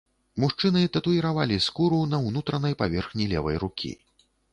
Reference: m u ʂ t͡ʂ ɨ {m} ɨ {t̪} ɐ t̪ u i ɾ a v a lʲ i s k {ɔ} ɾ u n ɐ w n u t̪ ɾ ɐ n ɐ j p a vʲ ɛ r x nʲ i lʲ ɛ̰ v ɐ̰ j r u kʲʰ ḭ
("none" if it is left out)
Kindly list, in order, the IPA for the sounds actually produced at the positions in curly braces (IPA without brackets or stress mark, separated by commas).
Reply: n, t̪, u